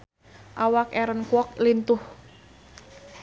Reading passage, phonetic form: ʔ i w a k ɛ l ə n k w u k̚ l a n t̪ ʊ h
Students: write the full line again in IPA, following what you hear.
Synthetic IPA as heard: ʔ a w a k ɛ ɾ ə n k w ɔ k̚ l i n t̪ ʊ h